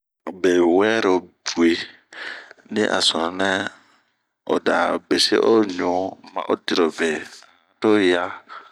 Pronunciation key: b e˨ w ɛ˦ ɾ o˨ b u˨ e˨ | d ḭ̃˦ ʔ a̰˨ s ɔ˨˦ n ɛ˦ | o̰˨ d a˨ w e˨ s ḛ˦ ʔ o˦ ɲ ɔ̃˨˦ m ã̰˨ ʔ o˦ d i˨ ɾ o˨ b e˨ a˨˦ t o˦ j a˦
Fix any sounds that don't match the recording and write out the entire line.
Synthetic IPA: b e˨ w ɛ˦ ɾ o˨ b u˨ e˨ | n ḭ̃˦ ʔ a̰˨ s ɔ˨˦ n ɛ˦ | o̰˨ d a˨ b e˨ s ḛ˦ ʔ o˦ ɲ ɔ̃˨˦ m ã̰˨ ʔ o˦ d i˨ ɾ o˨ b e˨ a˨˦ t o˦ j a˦